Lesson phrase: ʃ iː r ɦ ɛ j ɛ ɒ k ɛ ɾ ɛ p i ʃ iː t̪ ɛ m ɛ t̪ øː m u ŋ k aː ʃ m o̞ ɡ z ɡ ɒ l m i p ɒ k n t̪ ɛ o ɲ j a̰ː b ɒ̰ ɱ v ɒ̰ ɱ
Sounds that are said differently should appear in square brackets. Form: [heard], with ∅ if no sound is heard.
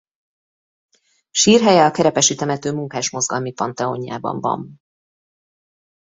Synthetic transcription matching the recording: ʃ iː r ɦ ɛ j ɛ ɒ k ɛ ɾ ɛ p [ɛ] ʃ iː t̪ ɛ m ɛ t̪ øː m u ŋ k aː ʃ m o̞ [∅] z ɡ ɒ l m i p ɒ [∅] n t̪ ɛ o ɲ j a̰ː b ɒ̰ ɱ v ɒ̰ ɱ